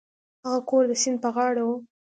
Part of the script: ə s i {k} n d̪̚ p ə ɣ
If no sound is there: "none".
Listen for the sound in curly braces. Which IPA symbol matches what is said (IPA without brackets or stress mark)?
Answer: none